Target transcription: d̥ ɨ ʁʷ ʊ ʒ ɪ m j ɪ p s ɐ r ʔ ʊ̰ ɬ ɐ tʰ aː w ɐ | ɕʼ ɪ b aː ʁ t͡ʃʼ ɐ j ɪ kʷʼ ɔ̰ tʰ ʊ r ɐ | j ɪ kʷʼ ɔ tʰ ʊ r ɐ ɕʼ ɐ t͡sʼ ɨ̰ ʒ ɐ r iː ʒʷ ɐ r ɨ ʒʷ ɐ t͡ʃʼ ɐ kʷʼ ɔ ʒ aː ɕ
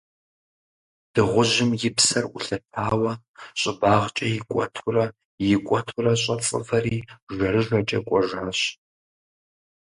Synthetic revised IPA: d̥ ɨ ʁʷ ʊ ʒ ɪ m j ɪ p s ɐ r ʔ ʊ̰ ɬ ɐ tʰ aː w ɐ | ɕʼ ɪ b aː ʁ t͡ʃʼ ɐ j ɪ kʷʼ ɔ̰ tʰ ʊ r ɐ | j ɪ kʷʼ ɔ tʰ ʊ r ɐ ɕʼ ɐ t͡sʼ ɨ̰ v ɐ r iː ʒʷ ɐ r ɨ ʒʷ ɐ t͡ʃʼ ɐ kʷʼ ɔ ʒ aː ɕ